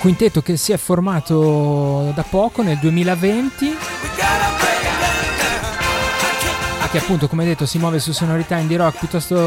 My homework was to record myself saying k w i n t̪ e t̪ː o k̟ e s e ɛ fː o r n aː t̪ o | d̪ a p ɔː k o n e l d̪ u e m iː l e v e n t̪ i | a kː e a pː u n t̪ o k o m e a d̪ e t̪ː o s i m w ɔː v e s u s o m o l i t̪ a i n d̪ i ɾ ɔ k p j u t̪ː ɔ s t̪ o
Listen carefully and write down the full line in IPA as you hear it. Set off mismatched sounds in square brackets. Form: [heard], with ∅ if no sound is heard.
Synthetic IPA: k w i n t̪ e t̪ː o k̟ e s [i] ɛ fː o r [m] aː t̪ o | d̪ a p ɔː k o n e l d̪ u e m iː l [a] v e n t̪ i | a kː e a pː u n t̪ o k o m e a d̪ e t̪ː o s i m w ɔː v e s u s o [n] o [ɾ] i t̪ a i n d̪ i ɾ ɔ k p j u t̪ː ɔ s t̪ o